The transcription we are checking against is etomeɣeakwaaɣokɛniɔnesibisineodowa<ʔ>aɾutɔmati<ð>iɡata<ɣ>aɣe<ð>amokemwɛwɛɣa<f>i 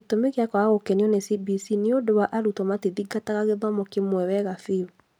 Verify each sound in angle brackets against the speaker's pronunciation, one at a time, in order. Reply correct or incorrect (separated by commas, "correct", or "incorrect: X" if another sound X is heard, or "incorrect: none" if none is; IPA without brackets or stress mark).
correct, correct, correct, correct, correct